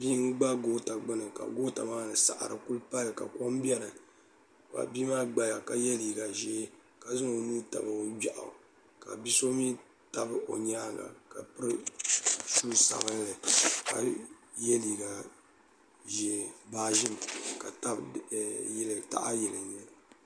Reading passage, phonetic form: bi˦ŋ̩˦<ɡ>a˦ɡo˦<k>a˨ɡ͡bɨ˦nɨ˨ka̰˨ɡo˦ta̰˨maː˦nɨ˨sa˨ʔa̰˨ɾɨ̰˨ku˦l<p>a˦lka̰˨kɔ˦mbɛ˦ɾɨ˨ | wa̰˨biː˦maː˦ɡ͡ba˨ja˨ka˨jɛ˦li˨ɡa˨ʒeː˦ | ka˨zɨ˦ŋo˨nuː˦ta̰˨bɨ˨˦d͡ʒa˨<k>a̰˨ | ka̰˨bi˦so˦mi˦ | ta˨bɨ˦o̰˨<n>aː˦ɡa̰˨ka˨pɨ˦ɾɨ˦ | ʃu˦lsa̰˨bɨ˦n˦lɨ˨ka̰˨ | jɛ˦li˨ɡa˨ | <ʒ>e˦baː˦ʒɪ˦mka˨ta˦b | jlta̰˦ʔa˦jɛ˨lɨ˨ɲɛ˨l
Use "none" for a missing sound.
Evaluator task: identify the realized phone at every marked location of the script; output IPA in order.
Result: ɡ͡b, t, p, ʔ, ɲ, ʒ

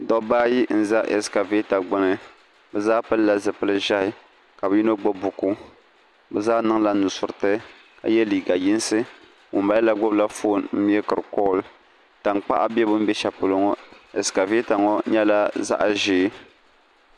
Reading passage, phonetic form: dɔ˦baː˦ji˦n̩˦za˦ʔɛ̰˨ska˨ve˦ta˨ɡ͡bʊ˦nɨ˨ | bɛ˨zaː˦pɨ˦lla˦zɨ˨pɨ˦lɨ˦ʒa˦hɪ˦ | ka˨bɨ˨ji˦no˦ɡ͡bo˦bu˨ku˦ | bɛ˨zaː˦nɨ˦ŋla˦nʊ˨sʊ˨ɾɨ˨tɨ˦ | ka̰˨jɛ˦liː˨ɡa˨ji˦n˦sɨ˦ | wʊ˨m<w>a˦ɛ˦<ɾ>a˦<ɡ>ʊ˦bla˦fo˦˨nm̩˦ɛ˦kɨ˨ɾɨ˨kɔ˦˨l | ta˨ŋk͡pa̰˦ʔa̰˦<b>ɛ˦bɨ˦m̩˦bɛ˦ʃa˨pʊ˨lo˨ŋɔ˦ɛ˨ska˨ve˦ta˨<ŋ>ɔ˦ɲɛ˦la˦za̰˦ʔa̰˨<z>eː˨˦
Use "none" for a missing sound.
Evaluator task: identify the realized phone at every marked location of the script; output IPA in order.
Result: b, l, ɡ, b, ŋ, ʒ

